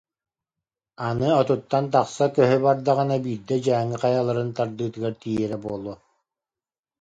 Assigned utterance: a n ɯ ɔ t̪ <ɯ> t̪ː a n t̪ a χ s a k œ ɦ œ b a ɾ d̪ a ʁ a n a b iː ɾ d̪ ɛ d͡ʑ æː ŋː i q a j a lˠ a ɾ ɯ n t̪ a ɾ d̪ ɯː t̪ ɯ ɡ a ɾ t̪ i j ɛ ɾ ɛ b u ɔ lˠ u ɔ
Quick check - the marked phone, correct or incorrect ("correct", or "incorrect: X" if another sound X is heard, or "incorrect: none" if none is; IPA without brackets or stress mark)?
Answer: incorrect: u